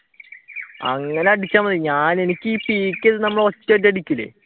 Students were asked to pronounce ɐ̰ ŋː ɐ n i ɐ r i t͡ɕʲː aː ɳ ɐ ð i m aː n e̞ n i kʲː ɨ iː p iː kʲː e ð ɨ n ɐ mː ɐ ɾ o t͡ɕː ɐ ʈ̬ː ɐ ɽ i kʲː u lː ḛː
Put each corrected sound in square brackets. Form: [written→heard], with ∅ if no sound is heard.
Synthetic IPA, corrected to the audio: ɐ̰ ŋː ɐ n [i→e] ɐ [r→ɽ] i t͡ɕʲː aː [ɳ→m] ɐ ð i [m→ɲ] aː n e̞ n i kʲː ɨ iː p iː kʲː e ð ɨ n ɐ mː ɐ [ɾ→ɭ] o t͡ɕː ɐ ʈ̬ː ɐ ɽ i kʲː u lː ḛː